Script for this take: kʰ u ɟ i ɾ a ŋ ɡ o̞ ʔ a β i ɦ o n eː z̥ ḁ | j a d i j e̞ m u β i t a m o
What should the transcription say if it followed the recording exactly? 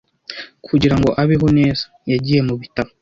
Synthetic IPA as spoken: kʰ u ɟ i ɾ a ŋ ɡ o̞ ʔ a β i ɦ o n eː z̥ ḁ | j a ɟ i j e̞ m u β i t a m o